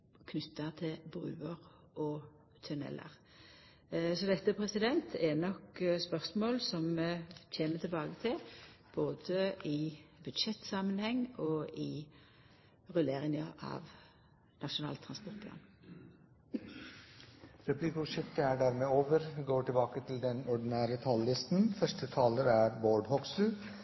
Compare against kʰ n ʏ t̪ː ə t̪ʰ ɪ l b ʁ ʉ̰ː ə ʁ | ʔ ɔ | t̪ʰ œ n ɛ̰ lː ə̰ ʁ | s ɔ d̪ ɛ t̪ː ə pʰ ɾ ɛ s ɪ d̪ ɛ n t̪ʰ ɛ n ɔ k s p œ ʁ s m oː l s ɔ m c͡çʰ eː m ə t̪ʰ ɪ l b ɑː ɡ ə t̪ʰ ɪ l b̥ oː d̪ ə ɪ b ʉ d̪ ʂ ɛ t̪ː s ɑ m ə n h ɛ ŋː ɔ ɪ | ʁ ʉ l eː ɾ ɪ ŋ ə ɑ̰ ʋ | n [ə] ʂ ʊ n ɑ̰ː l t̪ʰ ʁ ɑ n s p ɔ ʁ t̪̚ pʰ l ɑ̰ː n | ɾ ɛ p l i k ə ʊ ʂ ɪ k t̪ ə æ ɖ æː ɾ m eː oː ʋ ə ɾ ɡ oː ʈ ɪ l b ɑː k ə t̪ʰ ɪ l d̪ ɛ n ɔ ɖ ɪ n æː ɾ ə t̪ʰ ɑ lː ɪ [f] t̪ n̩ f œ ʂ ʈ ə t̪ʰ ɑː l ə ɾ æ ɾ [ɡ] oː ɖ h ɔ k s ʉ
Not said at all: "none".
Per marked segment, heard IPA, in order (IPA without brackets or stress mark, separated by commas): ɑ, s, b